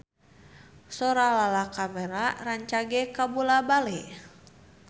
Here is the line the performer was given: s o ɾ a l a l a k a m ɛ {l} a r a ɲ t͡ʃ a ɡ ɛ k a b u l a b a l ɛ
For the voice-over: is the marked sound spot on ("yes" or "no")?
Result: no